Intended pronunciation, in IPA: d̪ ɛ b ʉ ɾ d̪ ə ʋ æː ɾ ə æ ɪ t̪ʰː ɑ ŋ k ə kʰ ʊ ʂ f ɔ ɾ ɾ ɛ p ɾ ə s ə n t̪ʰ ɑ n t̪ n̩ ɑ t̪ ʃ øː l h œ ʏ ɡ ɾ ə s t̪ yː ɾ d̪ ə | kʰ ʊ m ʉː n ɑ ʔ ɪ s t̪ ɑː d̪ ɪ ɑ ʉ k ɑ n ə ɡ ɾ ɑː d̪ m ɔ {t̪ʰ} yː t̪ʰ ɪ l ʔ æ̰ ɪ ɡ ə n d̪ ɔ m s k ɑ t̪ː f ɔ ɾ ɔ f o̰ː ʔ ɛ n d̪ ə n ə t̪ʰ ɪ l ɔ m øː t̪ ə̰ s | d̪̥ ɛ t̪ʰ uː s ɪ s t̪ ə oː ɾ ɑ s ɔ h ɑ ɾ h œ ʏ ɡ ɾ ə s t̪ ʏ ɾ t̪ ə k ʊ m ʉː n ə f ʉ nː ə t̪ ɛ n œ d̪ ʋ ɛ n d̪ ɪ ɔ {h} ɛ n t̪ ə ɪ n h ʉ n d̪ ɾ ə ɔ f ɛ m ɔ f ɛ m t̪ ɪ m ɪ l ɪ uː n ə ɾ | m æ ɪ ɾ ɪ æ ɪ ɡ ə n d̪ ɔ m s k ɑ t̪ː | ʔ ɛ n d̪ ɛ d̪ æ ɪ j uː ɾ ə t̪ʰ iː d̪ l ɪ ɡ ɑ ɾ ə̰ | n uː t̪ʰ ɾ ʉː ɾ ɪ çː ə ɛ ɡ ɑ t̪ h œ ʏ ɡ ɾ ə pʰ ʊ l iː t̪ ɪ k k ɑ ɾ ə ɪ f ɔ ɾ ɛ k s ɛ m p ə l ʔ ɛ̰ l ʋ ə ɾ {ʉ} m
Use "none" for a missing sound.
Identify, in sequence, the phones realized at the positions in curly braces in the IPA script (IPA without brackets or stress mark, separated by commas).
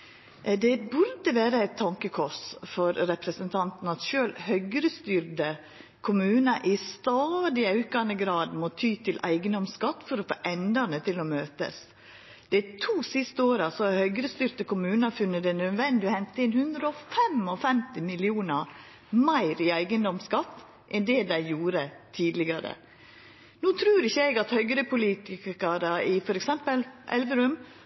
t̪ʰ, h, ʉ